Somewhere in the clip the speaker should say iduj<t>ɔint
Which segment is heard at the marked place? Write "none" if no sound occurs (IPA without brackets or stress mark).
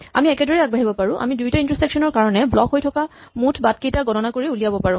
t